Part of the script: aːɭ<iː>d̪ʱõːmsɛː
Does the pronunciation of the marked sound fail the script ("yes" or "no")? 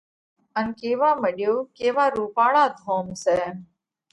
yes